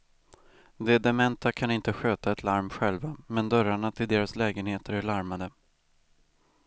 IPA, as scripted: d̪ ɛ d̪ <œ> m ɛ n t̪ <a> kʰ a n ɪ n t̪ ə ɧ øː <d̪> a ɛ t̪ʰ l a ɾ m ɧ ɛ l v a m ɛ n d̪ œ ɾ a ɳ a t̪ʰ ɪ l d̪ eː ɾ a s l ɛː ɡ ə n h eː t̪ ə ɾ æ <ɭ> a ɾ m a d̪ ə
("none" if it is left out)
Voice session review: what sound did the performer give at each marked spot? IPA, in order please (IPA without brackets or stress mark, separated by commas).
ɛ, a, t̪, ɭ